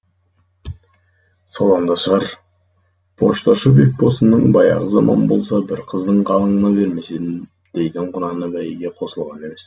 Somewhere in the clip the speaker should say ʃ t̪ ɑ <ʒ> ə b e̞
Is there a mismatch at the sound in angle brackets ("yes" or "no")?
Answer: yes